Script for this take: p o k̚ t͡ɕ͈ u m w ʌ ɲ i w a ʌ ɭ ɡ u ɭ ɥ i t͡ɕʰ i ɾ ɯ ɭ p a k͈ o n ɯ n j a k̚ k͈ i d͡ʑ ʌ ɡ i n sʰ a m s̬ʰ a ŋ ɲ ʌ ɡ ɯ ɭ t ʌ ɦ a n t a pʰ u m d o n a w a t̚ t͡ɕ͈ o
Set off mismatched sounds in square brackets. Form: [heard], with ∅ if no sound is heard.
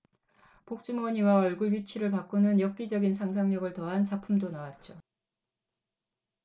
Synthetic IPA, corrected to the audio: p o k̚ t͡ɕ͈ u m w ʌ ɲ i w a ʌ ɭ ɡ u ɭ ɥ i t͡ɕʰ i ɾ ɯ ɭ p a k͈ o n ɯ n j [ʌ] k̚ k͈ i d͡ʑ ʌ ɡ i n sʰ a [ŋ] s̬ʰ a ŋ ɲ ʌ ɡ ɯ ɭ t ʌ ɦ a n [t͡ɕ] a pʰ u m d o n a w a t̚ t͡ɕ͈ o